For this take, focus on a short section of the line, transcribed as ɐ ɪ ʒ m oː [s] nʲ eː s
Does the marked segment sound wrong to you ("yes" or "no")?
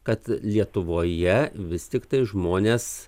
yes